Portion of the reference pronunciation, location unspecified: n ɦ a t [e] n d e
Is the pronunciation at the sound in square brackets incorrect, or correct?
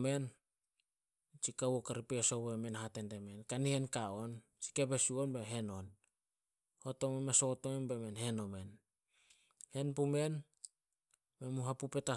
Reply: correct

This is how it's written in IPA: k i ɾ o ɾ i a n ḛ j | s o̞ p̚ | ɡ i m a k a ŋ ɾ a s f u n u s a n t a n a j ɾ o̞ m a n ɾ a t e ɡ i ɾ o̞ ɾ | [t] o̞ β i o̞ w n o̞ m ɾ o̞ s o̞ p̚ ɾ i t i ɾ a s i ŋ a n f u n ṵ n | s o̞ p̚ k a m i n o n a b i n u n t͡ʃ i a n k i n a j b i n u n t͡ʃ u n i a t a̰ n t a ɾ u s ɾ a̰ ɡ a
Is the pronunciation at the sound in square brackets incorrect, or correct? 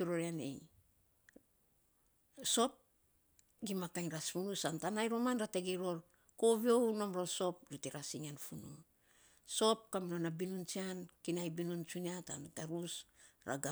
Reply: incorrect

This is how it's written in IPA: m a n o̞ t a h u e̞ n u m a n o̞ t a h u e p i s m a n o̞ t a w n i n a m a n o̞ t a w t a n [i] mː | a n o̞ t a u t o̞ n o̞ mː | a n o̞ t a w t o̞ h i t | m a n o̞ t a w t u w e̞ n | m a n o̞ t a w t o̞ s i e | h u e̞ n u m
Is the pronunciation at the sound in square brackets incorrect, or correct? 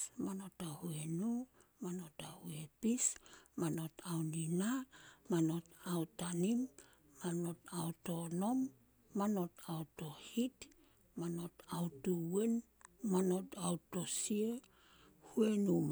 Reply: correct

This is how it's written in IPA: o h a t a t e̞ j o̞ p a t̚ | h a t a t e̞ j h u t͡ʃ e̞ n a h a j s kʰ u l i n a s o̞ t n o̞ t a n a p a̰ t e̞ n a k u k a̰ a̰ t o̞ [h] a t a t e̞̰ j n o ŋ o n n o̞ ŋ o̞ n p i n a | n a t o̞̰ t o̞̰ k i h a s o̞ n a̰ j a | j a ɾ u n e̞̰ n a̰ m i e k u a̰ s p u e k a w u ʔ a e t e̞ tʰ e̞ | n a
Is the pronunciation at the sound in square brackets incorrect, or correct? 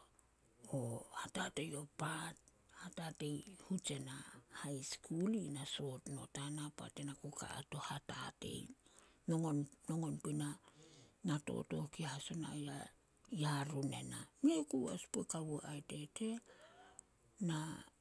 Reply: correct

